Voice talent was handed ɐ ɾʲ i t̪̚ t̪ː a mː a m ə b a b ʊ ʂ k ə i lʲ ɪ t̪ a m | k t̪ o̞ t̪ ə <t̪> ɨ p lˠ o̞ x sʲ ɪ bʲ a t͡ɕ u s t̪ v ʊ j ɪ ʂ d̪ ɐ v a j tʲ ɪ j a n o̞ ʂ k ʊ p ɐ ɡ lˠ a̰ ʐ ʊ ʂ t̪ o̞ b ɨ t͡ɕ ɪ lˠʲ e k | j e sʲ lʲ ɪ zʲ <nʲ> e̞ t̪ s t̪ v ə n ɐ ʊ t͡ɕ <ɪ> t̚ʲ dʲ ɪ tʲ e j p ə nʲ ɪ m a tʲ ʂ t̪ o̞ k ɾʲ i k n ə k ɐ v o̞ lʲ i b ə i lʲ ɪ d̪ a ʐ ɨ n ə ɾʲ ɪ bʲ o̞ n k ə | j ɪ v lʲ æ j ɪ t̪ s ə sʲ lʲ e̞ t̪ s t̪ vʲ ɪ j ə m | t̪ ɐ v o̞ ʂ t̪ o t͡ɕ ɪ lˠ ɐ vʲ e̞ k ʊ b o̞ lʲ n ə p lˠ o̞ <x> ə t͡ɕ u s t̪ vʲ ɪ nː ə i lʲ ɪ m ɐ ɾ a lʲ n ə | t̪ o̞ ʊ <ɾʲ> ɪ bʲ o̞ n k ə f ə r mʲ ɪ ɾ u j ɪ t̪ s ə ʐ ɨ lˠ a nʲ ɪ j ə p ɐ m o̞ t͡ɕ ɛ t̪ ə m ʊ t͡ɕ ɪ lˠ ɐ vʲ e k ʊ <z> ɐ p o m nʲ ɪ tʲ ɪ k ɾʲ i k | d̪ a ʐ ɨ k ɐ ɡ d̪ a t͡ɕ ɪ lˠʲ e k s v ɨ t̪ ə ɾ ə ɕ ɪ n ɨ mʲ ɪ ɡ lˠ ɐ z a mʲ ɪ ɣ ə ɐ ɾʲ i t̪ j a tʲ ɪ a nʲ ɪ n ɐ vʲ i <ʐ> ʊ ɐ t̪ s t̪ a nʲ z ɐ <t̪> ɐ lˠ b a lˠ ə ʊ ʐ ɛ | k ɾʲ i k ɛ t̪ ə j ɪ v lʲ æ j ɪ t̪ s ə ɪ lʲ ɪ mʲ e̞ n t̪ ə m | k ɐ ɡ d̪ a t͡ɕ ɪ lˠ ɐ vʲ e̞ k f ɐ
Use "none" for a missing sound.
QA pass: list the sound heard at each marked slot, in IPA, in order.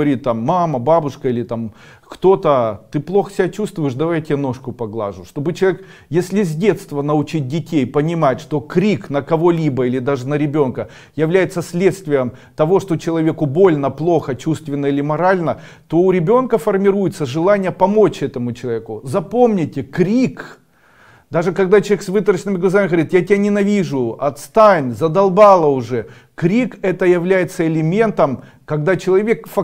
t̪, dʲ, i, x, ɾʲ, z, ʐ, d̪

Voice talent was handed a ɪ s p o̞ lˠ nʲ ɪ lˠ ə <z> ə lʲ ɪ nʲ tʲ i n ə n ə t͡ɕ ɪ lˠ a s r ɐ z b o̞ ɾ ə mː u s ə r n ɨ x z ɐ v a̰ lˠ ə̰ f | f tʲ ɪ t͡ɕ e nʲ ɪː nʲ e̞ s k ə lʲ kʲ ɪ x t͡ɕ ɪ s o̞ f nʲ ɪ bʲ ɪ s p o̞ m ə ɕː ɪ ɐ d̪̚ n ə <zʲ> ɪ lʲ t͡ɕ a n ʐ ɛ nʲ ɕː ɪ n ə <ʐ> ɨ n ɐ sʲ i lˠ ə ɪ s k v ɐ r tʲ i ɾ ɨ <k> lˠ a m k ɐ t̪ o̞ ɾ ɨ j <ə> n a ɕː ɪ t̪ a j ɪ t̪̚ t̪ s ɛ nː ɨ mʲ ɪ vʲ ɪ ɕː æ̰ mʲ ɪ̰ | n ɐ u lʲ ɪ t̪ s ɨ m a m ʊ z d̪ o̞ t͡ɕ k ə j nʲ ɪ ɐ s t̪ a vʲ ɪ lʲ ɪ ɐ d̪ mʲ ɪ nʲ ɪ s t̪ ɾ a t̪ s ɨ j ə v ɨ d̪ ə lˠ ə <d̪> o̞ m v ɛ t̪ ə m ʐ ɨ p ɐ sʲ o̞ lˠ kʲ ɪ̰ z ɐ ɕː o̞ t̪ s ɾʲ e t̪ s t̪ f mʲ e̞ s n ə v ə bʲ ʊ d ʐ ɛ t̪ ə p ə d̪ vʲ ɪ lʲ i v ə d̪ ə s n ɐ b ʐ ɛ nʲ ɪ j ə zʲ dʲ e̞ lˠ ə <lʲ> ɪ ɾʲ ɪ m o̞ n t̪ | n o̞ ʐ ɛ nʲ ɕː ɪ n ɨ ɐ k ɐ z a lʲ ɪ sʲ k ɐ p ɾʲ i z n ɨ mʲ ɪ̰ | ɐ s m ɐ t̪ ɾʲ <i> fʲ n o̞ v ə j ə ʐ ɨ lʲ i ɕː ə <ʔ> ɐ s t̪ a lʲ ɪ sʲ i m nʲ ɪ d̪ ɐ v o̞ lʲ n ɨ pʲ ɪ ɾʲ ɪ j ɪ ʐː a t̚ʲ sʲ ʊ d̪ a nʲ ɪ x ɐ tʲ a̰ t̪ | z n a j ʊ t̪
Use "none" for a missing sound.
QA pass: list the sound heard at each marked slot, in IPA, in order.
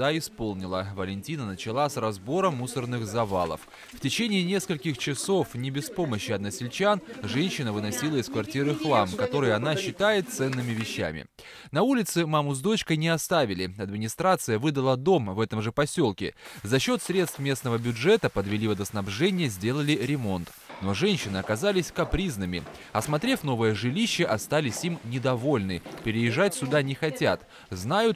v, sʲ, v, x, ɐ, d̪, lʲ, e, ʔ

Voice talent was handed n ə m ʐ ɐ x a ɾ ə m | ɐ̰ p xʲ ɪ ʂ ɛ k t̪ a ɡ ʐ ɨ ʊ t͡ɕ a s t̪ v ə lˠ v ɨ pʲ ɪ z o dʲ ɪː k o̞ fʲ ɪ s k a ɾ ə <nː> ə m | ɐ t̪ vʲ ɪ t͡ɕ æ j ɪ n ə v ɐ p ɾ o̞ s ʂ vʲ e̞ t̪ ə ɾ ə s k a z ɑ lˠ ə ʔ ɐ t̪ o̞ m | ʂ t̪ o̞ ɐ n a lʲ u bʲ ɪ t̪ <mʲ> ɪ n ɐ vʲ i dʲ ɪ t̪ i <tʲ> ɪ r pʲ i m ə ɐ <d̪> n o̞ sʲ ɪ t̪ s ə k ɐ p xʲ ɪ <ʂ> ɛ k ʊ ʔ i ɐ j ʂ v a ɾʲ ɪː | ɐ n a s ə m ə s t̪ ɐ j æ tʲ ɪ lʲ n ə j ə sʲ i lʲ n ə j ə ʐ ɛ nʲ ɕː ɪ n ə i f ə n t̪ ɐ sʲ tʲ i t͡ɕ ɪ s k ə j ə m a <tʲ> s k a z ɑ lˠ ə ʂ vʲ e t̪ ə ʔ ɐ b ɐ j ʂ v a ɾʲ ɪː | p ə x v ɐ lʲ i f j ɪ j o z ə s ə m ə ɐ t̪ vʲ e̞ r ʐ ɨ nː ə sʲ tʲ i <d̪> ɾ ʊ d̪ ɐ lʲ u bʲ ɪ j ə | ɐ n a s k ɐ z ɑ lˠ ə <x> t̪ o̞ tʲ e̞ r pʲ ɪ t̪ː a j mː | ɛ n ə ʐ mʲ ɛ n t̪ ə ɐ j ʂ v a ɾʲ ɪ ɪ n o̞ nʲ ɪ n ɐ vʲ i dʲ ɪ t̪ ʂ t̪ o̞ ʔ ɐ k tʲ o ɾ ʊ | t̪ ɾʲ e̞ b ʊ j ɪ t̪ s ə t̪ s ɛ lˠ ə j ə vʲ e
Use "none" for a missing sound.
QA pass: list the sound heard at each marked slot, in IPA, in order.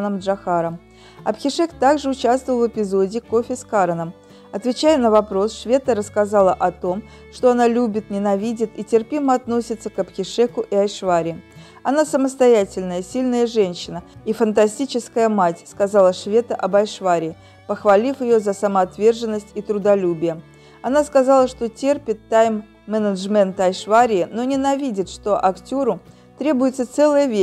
n, nʲ, tʲ, t̪, ʂ, tʲ, t̪, ʂ

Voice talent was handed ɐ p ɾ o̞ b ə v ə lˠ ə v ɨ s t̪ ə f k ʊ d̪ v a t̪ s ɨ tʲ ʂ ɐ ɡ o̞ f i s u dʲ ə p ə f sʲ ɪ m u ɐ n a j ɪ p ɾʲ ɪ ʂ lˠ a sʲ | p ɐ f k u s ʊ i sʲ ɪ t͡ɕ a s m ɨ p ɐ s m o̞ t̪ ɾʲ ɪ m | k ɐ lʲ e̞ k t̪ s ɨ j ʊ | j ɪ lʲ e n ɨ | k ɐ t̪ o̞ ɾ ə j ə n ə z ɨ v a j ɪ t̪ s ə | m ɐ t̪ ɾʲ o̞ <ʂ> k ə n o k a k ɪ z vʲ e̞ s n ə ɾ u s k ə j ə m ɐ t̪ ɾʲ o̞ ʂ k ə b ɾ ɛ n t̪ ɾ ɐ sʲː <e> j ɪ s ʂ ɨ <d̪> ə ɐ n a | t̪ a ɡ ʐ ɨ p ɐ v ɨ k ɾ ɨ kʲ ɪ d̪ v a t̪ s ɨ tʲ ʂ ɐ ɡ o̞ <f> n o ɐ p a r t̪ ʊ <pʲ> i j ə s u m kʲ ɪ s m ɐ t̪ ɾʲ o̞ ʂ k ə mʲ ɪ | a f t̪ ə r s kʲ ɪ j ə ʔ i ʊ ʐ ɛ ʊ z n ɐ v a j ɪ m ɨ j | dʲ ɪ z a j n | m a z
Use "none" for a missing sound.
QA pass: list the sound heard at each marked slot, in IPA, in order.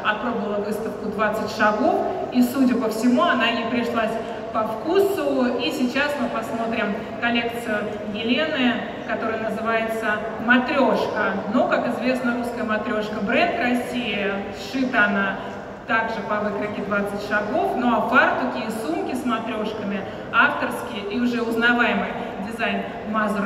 ʂ, i, t̪, f, kʲ

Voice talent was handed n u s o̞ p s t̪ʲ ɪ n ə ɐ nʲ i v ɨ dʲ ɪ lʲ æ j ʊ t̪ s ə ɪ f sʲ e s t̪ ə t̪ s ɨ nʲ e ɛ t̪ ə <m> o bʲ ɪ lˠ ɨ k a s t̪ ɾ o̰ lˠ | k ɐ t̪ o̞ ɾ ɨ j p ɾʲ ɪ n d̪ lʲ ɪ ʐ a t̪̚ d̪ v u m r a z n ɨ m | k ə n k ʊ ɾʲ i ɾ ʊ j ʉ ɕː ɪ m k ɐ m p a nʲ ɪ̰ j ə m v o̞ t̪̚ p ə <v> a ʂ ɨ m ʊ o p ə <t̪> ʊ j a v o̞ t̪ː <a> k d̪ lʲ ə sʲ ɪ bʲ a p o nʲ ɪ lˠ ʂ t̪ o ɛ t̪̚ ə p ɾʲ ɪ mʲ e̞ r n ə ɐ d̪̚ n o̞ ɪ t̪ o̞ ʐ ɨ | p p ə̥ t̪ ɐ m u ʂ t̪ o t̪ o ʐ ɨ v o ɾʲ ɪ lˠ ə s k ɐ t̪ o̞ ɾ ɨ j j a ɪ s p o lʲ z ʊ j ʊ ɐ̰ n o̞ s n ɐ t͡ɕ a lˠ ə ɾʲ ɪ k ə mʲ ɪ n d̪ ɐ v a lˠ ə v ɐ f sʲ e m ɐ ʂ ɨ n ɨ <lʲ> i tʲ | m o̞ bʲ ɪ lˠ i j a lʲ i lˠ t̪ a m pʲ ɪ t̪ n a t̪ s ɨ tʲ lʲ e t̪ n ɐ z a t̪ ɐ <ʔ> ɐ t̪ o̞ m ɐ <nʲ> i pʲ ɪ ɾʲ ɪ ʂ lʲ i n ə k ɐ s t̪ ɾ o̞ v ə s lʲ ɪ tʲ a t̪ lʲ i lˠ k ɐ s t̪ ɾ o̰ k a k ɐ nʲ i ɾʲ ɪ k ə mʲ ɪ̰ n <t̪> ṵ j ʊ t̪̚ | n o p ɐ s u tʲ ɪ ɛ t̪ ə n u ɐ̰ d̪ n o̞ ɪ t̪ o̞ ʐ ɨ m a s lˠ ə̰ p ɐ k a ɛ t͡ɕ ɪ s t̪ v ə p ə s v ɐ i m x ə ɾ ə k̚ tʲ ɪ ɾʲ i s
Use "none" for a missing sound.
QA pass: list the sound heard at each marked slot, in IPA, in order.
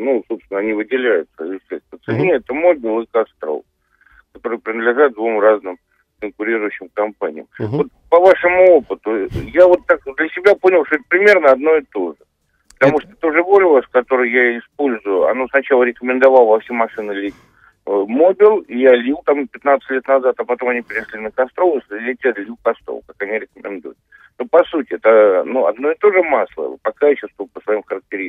m, v, t̪, a, lʲ, p, nʲ, d̪

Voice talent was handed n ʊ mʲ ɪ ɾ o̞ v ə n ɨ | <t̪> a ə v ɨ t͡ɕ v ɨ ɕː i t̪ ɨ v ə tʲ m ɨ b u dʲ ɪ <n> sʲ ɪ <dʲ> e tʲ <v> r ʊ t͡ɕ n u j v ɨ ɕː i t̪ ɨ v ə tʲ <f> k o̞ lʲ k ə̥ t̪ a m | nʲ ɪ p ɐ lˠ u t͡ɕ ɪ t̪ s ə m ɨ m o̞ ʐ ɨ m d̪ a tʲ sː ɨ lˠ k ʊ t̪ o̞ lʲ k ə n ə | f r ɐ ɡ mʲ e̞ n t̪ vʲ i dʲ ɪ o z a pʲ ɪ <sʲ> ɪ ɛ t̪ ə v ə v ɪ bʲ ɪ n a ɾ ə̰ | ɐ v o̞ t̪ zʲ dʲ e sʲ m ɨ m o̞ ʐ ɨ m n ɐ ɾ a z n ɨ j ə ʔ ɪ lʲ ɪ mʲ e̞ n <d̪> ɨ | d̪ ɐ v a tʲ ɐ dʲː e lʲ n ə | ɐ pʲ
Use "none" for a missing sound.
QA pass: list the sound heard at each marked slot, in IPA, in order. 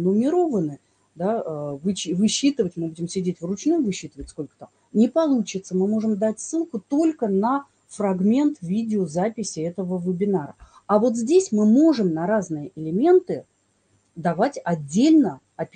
d̪, m, dʲ, v, s, sʲ, t̪

